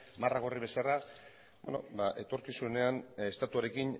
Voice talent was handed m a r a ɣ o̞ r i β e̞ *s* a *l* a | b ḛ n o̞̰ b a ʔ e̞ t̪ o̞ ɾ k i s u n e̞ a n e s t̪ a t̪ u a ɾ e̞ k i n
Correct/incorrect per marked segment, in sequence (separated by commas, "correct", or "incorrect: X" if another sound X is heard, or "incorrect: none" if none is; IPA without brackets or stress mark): correct, incorrect: r